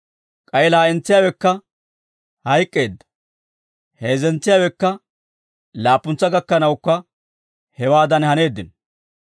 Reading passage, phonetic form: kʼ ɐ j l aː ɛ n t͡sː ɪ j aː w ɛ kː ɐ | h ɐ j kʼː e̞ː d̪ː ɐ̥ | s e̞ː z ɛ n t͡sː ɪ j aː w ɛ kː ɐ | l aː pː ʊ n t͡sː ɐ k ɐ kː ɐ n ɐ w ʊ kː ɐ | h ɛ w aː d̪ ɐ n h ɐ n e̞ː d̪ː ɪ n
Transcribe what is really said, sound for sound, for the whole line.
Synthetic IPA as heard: kʼ ɐ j l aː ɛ n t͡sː ɪ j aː w ɛ kː ɐ | h ɐ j kʼː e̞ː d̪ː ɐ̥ | h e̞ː z ɛ n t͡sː ɪ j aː w ɛ kː ɐ | l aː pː ʊ n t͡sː ɐ ɡ ɐ kː ɐ n ɐ w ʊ kː ɐ | h ɛ w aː d̪ ɐ n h ɐ n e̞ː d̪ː ɪ n